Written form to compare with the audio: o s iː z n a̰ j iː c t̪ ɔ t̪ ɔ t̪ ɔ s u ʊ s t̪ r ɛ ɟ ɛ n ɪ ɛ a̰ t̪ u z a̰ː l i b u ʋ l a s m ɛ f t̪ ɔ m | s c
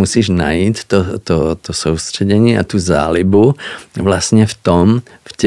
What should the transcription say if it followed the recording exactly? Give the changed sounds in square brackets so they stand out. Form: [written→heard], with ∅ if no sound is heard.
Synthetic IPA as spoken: [o→u] s iː [z→ʒ] n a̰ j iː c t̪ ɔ t̪ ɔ t̪ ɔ s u ʊ s t̪ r ɛ ɟ ɛ [n→ɲ] ɪ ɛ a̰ t̪ u z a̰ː l i b u ʋ l a s [m→ɲ] ɛ f t̪ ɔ m | [s→f] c